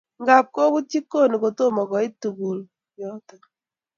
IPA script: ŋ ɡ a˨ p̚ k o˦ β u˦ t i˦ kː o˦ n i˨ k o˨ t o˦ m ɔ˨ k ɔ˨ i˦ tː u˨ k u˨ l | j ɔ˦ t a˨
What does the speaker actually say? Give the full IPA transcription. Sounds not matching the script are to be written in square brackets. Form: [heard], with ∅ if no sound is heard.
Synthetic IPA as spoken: ŋ ɡ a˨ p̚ k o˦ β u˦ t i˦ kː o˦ n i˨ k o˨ t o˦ m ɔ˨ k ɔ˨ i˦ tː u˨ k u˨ l | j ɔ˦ t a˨

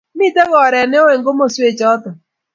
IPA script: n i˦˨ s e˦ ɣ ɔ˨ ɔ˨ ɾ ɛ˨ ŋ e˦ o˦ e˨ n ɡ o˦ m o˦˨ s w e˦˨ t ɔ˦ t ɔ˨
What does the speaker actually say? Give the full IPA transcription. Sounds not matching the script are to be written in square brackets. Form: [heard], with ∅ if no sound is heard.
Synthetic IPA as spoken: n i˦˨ [t] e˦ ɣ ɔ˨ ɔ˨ ɾ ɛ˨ [n] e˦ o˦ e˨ [ŋ] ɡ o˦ m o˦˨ s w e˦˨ [t͡ʃ] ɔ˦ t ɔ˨

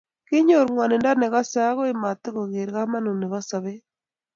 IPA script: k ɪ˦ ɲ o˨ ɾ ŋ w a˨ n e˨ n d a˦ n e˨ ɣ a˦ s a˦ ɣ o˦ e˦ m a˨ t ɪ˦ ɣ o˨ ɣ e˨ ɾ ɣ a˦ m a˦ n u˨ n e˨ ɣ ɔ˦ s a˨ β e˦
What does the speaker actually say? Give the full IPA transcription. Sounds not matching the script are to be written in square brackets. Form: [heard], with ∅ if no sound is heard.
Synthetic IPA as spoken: k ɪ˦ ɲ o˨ ɾ ŋ w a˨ n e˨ n d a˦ n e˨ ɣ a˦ s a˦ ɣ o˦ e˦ m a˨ t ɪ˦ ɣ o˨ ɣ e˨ ɾ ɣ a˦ m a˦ n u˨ n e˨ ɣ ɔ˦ s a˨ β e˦

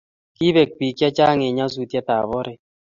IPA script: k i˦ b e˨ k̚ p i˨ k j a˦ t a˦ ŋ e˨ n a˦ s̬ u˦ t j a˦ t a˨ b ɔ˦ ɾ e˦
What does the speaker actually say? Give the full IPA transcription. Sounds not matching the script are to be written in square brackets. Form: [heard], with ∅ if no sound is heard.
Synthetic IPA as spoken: k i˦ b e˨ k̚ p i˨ k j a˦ [t͡ʃ] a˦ ŋ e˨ [ɲ] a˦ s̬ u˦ t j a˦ t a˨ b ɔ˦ ɾ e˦

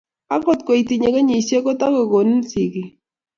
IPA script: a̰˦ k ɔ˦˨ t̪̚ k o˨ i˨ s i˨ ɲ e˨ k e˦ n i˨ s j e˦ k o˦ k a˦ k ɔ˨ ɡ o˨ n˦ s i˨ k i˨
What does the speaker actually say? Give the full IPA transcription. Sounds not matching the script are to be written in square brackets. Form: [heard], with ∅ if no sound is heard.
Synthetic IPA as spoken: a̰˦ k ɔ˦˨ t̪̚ k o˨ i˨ [t] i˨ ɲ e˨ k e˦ [ɲ] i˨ s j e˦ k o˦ [t] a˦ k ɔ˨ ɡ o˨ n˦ s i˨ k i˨

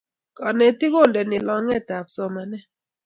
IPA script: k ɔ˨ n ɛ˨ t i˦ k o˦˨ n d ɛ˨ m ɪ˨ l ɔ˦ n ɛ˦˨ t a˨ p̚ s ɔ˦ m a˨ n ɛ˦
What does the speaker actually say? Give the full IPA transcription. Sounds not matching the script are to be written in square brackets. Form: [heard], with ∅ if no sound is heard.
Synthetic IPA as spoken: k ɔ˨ n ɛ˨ t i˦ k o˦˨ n d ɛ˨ [n] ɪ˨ l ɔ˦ [ŋ] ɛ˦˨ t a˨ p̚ s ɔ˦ m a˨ n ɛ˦

